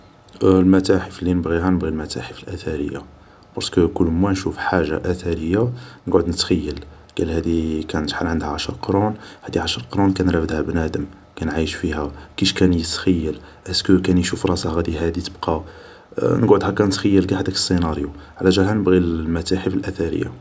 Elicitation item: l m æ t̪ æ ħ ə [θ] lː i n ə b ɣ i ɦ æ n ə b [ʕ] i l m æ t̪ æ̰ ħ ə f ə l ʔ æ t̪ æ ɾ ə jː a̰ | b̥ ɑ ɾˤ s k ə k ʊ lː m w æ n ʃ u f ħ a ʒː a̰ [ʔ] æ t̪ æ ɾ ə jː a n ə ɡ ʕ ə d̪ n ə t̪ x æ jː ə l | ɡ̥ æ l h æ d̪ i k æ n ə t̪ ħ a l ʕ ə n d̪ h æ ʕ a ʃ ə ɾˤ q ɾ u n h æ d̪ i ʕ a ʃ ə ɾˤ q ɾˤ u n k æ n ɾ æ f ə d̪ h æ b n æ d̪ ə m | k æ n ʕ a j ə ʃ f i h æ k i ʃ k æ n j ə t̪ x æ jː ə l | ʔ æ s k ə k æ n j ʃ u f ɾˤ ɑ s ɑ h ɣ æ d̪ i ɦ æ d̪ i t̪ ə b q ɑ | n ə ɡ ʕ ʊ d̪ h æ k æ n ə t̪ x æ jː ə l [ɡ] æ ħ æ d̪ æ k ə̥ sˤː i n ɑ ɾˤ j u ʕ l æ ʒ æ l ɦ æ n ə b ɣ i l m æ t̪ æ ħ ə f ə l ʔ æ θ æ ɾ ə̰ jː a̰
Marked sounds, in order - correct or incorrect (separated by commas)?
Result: incorrect, incorrect, correct, correct